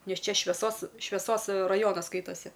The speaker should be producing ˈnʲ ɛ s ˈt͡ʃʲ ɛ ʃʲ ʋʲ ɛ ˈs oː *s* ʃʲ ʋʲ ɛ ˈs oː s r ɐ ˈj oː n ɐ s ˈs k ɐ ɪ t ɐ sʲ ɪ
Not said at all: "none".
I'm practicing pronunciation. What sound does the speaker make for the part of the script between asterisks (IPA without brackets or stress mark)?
s